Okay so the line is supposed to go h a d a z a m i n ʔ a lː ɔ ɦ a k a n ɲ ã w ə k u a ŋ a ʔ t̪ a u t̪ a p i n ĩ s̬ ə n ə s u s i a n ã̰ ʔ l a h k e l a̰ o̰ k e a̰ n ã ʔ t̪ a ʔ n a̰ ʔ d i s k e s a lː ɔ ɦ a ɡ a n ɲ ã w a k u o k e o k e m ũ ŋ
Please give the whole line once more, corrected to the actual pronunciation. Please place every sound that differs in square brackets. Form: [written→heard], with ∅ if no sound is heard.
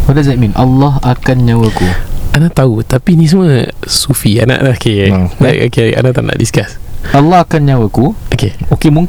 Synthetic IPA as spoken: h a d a z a m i n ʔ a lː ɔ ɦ a k a n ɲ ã w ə k u a [ŋ→n] a ʔ t̪ a u t̪ a p i n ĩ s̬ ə [n→m] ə s u [s→f] i a n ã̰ ʔ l a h k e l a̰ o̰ k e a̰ n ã ʔ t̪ a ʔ n a̰ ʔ d i s k [e→a] s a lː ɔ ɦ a [ɡ→k] a n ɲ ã w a k u o k e o k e m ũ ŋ